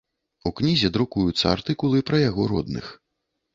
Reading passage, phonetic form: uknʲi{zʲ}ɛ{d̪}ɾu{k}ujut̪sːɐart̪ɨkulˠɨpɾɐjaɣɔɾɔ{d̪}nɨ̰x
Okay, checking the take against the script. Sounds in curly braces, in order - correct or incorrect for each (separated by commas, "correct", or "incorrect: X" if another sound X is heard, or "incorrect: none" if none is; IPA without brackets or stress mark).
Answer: correct, correct, correct, correct